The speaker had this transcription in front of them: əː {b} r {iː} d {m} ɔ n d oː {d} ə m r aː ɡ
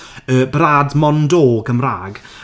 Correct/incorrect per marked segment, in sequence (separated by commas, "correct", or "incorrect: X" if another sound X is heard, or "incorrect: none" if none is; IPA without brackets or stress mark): correct, incorrect: aː, correct, incorrect: ɡ